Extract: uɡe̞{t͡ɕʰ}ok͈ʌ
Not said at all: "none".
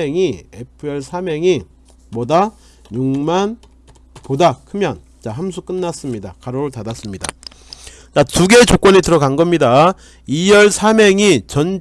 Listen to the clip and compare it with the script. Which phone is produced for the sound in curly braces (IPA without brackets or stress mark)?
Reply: t͡ɕ